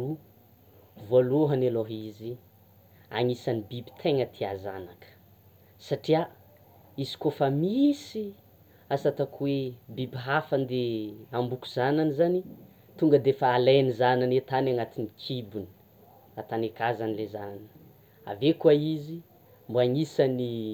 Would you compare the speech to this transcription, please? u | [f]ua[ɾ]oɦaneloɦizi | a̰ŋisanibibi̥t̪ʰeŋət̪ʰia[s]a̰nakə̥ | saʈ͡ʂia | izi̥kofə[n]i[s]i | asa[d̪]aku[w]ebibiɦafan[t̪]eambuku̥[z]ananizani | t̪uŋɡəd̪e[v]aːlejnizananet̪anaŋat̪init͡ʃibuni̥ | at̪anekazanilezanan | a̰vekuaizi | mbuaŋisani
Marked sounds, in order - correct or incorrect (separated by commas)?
incorrect, incorrect, incorrect, incorrect, correct, incorrect, correct, incorrect, correct, incorrect